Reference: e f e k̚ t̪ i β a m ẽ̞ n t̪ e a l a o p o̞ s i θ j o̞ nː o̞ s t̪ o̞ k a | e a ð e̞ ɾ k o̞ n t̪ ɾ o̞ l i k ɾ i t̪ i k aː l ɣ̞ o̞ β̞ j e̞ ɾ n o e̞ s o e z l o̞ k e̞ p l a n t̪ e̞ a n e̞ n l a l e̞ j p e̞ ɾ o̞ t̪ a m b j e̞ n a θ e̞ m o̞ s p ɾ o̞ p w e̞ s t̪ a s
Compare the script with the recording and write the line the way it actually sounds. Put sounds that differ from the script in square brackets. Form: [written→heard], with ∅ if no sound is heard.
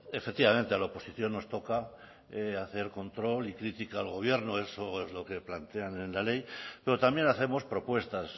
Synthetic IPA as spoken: e f e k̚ t̪ i β a m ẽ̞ n t̪ e a l a o p o̞ s i θ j o̞ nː o̞ s t̪ o̞ k a | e a [ð→θ] e̞ ɾ k o̞ n t̪ ɾ o̞ l i k ɾ i t̪ i k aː l ɣ̞ o̞ β̞ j e̞ ɾ n o e̞ s o e z l o̞ k e̞ p l a n t̪ e̞ a n e̞ n l a l e̞ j p e̞ ɾ o̞ t̪ a m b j e̞ n a θ e̞ m o̞ s p ɾ o̞ p w e̞ s t̪ a s

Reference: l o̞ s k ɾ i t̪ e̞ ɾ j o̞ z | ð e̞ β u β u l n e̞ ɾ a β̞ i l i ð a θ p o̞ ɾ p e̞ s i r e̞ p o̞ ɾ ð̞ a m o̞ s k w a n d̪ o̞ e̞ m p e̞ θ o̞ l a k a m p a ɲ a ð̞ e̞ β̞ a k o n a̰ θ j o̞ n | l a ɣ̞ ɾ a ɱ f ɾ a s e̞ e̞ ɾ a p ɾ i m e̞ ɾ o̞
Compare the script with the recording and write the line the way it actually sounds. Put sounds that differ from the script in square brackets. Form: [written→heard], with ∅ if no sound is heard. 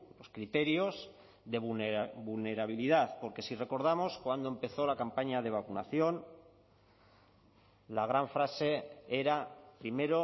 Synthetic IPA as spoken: l o̞ s k ɾ i t̪ e̞ ɾ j o̞ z | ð e̞ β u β u l n e̞ ɾ a β̞ i l i ð a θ p o̞ ɾ [p→k] e̞ s i r e̞ [p→k] o̞ ɾ ð̞ a m o̞ s k w a n d̪ o̞ e̞ m p e̞ θ o̞ l a k a m p a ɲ a ð̞ e̞ β̞ a k [o→u] n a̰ θ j o̞ n | l a ɣ̞ ɾ a ɱ f ɾ a s e̞ e̞ ɾ a p ɾ i m e̞ ɾ o̞

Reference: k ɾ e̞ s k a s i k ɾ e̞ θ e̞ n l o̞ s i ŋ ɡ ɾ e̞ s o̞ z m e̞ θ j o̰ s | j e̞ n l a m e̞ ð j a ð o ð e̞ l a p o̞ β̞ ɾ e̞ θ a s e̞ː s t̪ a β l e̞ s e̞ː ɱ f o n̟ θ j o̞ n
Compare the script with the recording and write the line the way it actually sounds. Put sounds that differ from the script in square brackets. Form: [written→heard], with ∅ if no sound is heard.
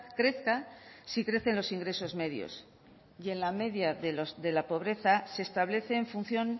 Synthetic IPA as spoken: k ɾ e̞ [s→θ] k a s i k ɾ e̞ θ e̞ n l o̞ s i ŋ ɡ ɾ e̞ s o̞ z m e̞ [θ→ð] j o̰ s | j e̞ n l a m e̞ ð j a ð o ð e̞ l a p o̞ β̞ ɾ e̞ θ a s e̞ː s t̪ a β l e̞ [s→θ] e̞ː ɱ f [o→u] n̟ θ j o̞ n

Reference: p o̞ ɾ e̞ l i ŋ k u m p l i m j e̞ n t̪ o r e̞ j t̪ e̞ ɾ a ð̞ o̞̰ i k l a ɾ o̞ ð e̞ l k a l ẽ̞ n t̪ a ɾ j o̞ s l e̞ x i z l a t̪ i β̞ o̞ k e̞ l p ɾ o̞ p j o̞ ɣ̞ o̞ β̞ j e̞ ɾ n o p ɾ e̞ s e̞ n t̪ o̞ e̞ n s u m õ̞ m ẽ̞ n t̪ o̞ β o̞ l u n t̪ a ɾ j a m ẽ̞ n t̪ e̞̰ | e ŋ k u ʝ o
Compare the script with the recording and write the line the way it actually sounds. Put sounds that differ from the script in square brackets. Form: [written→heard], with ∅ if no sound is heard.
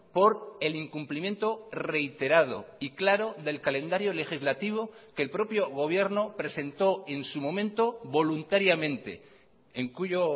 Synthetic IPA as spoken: p o̞ ɾ e̞ l i ŋ k u m p l i m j e̞ n t̪ o r e̞ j t̪ e̞ ɾ a ð̞ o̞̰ i k l a ɾ o̞ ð e̞ l k a l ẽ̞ n [t̪→d̪] a ɾ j o̞ [s→∅] l e̞ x i z l a t̪ i β̞ o̞ k e̞ l p ɾ o̞ p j o̞ ɣ̞ o̞ β̞ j e̞ ɾ n o p ɾ e̞ s e̞ n t̪ o̞ e̞ n s u m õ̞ m ẽ̞ n t̪ o̞ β o̞ l u n t̪ a ɾ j a m ẽ̞ n t̪ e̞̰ | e ŋ k u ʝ o

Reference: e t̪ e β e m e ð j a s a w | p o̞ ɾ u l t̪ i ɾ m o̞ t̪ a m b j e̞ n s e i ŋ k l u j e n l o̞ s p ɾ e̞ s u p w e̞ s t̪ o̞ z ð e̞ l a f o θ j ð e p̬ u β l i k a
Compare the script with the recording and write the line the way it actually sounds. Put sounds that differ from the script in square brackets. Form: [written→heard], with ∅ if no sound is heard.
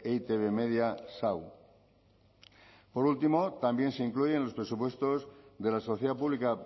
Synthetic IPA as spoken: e t̪ e β e m e ð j a s a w | p o̞ ɾ u l t̪ i [ɾ→∅] m o̞ t̪ a m b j e̞ n s e i ŋ k l u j e n l o̞ s p ɾ e̞ s u p w e̞ s t̪ o̞ z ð e̞ l a [f→s] o θ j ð [e→a] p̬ u β l i k a

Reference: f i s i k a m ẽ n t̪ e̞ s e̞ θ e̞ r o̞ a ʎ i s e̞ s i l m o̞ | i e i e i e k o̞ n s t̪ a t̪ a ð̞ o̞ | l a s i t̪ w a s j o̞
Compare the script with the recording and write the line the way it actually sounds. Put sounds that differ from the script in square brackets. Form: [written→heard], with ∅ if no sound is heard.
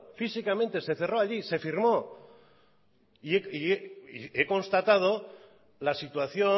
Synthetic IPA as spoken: f i s i k a m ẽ n t̪ e̞ s e̞ θ e̞ r o̞ a ʎ i s e̞ [s→f] i [l→ɾ] m o̞ | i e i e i e k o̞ n s t̪ a t̪ a ð̞ o̞ | l a s i t̪ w a [s→θ] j o̞

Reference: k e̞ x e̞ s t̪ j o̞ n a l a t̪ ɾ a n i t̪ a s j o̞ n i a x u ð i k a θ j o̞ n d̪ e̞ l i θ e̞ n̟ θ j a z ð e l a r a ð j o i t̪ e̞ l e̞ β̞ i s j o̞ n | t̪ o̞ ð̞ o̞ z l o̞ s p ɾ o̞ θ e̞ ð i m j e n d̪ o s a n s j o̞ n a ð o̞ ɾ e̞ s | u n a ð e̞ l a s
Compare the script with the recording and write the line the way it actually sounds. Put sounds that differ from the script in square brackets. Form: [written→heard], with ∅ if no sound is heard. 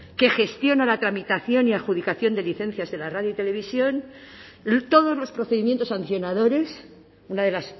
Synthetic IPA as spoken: k e̞ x e̞ s t̪ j o̞ n a l a t̪ ɾ a [n→m] i t̪ a [s→θ] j o̞ n i a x u ð i k a θ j o̞ n d̪ e̞ l i θ e̞ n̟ θ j a z ð e l a r a ð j o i t̪ e̞ l e̞ β̞ i s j o̞ n | t̪ o̞ ð̞ o̞ z l o̞ s p ɾ o̞ θ e̞ ð i m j e n [d̪→t̪] o s a n [s→θ] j o̞ n a ð o̞ ɾ e̞ s | u n a ð e̞ l a s

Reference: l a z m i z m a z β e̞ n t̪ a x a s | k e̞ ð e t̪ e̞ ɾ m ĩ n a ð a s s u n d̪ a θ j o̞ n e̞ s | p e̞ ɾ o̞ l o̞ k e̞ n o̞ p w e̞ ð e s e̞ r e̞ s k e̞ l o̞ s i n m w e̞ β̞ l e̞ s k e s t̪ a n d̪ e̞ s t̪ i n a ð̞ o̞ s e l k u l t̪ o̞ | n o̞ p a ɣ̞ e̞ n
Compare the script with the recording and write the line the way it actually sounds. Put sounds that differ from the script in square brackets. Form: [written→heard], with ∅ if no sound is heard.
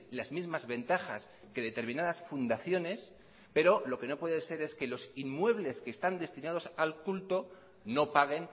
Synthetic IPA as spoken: l a z m i z m a z β e̞ n t̪ a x a s | k e̞ ð e t̪ e̞ ɾ m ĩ n a ð a s [s→f] u n d̪ a θ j o̞ n e̞ s | p e̞ ɾ o̞ l o̞ k e̞ n o̞ p w e̞ ð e s e̞ [r→ɾ] e̞ s k e̞ l o̞ s i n m w e̞ β̞ l e̞ s k e s t̪ a n d̪ e̞ s t̪ i n a ð̞ o̞ s [e→a] l k u l t̪ o̞ | n o̞ p a ɣ̞ e̞ n

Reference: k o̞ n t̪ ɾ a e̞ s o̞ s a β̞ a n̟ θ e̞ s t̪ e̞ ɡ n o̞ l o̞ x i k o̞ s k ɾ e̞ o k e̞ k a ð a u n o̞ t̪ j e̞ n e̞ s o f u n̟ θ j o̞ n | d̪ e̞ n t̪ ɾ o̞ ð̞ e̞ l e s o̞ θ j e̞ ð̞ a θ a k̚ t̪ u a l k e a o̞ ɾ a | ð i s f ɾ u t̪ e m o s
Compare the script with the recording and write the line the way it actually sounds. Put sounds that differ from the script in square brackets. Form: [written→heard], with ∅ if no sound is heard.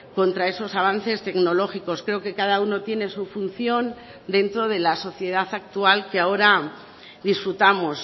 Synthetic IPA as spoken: k o̞ n t̪ ɾ a e̞ s o̞ s a β̞ a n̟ θ e̞ s t̪ e̞ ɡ n o̞ l o̞ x i k o̞ s k ɾ e̞ o k e̞ k a ð a u n o̞ t̪ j e̞ n e̞ s [o→u] f u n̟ θ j o̞ n | d̪ e̞ n t̪ ɾ o̞ ð̞ e̞ l [e→a] s o̞ θ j e̞ ð̞ a θ a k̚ t̪ u a l k e a o̞ ɾ a | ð i s f ɾ u t̪ [e→a] m o s

